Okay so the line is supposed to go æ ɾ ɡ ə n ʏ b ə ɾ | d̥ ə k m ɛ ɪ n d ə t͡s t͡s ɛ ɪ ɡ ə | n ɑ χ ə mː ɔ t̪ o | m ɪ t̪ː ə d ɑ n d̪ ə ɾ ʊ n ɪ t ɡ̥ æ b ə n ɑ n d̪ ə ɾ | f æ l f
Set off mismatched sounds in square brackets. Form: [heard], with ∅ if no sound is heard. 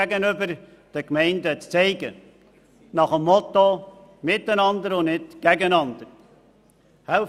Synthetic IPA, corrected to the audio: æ [∅] ɡ ə n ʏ b ə ɾ | d̥ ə k m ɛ ɪ n d ə t͡s t͡s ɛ ɪ ɡ ə | n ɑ χ ə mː ɔ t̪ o | m ɪ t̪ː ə [n] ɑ n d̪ ə ɾ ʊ n ɪ t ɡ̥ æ [ɡ] ə n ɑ n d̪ ə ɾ | [h] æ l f